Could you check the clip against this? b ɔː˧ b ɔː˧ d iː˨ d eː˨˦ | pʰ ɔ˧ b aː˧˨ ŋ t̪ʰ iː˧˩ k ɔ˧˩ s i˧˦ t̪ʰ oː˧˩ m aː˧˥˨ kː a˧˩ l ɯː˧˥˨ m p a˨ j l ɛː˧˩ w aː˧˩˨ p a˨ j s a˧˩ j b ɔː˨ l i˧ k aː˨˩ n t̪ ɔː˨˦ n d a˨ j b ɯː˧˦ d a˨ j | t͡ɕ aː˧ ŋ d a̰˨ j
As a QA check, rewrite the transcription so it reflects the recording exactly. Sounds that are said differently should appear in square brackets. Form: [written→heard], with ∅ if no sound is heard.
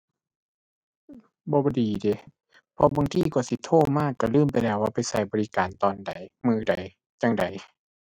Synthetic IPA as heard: b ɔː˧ b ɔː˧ d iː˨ d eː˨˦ | pʰ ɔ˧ b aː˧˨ ŋ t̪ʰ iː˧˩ k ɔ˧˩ s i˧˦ t̪ʰ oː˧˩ m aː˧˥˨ kː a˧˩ l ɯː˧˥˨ m p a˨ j l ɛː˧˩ w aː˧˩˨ p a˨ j s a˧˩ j b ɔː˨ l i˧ k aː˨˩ n t̪ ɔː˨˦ n d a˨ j [b→m] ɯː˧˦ d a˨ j | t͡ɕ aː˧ ŋ d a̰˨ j